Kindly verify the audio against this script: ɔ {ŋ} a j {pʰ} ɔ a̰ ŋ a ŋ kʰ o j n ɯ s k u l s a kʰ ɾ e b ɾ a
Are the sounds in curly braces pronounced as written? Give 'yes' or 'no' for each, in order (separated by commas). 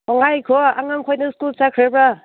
yes, no